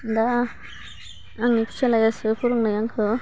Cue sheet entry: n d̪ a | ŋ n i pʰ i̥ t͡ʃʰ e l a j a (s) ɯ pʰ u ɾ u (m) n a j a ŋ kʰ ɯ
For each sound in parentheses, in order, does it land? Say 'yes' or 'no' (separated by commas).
yes, no